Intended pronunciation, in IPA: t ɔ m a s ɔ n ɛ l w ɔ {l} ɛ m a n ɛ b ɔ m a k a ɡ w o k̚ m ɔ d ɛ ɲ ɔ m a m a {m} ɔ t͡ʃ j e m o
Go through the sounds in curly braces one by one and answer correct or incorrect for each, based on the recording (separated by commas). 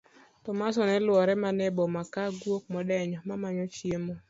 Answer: incorrect, incorrect